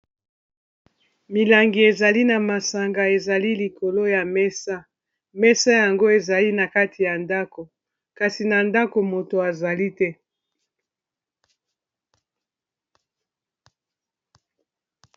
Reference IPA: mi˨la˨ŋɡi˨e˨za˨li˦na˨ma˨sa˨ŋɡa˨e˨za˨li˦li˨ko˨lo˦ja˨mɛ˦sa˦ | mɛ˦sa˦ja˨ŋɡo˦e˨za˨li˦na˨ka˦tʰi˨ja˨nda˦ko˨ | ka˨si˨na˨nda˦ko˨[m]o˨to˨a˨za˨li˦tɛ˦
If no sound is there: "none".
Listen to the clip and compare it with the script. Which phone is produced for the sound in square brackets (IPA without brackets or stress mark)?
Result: m